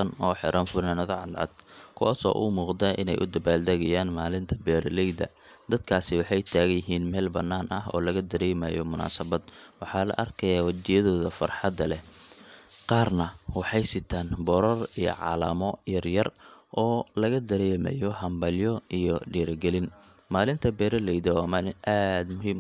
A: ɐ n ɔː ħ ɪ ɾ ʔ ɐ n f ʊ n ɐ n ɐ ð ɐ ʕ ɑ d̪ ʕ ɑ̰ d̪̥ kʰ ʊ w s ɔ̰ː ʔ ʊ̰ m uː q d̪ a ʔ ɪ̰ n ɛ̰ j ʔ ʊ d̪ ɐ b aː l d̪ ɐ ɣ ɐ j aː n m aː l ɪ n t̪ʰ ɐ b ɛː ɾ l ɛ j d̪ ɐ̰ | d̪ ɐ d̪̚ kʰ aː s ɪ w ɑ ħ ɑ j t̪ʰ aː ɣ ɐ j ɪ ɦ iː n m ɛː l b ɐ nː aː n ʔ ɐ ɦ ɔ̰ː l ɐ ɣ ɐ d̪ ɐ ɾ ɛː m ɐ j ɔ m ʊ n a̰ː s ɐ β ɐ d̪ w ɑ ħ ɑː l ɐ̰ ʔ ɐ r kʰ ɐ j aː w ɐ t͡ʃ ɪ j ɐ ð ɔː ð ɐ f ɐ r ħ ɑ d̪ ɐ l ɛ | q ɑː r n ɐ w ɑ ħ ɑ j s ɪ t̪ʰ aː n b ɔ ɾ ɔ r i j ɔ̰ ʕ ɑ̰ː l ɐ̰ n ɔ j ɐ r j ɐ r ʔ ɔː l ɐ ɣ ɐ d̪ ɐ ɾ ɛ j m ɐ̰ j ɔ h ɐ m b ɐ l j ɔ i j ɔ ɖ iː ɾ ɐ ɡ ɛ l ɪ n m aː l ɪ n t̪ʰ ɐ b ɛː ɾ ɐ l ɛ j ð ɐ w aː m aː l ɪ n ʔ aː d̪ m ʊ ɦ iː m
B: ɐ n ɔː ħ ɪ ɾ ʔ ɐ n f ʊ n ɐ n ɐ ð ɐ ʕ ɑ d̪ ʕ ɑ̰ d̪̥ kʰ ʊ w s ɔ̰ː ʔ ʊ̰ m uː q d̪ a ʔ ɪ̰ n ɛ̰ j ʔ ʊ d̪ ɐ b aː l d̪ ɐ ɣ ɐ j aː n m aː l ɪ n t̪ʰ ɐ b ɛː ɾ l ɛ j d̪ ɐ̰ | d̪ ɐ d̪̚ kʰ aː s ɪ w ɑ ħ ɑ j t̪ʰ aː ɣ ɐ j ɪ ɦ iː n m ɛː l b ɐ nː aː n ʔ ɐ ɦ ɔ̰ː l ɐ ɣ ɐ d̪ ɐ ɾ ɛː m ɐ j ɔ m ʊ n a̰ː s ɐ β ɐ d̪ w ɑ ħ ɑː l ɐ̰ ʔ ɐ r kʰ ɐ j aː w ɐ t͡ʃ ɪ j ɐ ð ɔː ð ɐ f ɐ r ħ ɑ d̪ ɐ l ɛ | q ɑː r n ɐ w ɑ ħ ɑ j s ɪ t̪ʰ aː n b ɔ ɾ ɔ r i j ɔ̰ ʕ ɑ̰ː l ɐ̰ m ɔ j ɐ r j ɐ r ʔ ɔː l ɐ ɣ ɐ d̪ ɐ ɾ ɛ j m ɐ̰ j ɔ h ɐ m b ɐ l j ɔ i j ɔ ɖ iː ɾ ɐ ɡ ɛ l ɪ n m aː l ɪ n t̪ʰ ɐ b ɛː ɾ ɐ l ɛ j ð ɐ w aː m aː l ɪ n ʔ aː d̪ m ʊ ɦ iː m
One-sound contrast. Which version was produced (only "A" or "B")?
B